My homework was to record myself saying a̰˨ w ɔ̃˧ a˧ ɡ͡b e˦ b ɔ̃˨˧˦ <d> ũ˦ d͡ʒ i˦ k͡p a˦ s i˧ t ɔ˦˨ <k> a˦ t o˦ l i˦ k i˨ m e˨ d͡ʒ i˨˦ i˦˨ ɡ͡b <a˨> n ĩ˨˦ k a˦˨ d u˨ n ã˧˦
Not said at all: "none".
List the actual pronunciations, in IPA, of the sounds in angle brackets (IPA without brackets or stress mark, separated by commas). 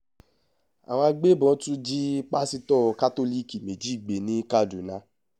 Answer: t, k, e˨